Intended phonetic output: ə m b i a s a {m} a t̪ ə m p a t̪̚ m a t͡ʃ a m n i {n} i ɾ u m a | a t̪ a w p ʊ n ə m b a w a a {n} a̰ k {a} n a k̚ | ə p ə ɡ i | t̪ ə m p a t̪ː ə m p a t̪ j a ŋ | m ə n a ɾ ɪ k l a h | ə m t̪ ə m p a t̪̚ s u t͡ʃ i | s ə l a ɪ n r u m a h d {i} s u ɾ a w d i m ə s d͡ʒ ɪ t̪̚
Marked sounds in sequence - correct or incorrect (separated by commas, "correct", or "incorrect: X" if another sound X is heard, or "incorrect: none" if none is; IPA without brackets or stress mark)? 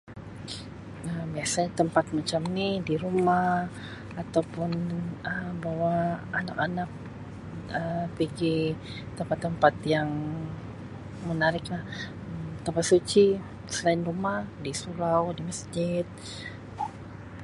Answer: incorrect: ɲ, incorrect: d, correct, correct, correct